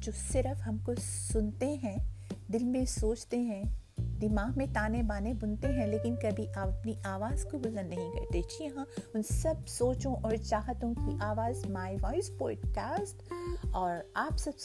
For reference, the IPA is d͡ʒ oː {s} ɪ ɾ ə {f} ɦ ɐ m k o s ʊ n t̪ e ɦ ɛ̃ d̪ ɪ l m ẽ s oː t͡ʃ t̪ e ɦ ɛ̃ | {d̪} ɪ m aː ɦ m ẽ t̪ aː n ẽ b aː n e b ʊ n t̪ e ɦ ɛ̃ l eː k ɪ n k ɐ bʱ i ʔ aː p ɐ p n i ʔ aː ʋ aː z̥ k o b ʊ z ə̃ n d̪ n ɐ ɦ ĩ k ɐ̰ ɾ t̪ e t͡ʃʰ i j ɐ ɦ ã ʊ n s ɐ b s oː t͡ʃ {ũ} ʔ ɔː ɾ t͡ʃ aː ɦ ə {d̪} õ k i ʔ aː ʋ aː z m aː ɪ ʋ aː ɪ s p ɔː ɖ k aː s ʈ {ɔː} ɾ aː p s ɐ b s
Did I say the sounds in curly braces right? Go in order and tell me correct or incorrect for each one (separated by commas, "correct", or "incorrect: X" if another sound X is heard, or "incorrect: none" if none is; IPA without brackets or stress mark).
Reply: correct, correct, correct, incorrect: õ, incorrect: t̪, correct